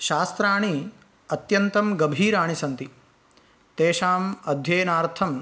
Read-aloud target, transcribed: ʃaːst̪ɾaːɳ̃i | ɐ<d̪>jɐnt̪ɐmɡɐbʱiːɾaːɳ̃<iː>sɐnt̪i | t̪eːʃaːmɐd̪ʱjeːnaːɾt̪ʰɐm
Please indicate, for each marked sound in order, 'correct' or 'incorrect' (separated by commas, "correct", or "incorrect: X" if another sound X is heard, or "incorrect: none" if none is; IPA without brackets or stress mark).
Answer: incorrect: t̪, incorrect: i